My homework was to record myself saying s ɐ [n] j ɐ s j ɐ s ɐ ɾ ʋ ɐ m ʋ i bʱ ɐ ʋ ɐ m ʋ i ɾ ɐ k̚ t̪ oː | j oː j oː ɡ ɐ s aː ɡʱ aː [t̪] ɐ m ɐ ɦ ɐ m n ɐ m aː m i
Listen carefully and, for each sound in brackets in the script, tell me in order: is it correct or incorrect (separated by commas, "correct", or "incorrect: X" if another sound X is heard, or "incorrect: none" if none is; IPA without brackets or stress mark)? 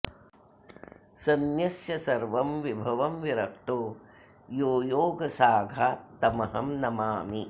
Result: correct, correct